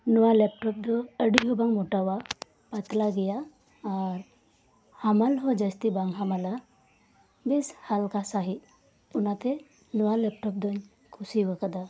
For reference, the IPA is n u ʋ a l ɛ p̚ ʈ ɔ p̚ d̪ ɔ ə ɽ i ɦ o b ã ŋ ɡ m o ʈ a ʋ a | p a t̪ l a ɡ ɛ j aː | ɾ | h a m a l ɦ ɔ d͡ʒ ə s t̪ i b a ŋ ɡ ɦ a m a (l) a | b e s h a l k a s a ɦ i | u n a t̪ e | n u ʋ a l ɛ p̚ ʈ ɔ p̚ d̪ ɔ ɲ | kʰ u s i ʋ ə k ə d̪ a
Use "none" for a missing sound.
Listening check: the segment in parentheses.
l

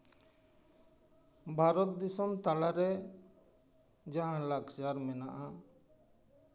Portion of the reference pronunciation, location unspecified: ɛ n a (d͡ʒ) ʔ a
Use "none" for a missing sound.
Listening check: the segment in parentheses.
none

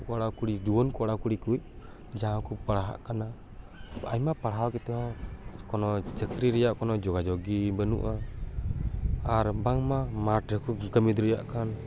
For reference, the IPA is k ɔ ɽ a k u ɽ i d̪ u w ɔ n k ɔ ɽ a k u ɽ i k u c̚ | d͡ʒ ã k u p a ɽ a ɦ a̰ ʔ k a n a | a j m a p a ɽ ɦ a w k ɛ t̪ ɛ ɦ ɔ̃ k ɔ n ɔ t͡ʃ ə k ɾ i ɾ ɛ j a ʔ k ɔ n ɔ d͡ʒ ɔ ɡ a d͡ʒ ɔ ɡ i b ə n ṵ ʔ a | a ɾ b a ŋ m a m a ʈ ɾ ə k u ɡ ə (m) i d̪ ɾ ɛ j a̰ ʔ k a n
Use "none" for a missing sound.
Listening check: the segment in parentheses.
m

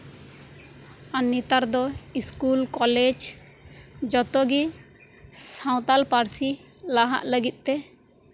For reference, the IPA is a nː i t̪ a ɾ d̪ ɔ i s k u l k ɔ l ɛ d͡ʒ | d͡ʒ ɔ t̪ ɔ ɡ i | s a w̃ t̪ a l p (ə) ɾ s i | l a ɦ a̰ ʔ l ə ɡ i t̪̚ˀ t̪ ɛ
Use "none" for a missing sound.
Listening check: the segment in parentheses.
a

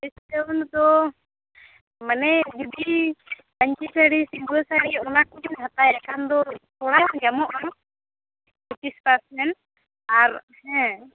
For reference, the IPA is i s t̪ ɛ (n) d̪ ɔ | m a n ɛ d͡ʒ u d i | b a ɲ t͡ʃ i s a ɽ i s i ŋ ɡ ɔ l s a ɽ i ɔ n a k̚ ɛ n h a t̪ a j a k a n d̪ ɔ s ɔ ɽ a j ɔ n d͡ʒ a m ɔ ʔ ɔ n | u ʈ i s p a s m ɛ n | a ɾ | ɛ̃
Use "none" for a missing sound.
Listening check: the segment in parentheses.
n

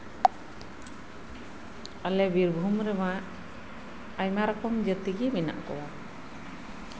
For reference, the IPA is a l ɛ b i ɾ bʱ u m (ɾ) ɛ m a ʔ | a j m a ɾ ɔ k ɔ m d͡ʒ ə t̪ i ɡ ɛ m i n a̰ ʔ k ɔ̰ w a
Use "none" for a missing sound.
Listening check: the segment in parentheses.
ɾ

